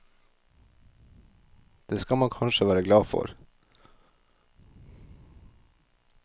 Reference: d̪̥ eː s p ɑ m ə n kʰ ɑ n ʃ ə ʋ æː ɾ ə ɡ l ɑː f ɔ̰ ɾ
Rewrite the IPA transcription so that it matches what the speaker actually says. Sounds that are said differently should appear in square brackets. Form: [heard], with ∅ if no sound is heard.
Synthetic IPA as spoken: d̪̥ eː s [k] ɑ m [ɑ] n kʰ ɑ n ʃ ə ʋ æː ɾ ə ɡ l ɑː f ɔ̰ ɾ